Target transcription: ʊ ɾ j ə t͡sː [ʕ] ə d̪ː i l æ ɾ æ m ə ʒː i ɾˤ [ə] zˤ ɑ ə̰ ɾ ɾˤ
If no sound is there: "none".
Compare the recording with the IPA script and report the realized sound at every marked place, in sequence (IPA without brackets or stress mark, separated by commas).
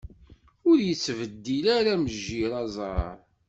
v, ɑ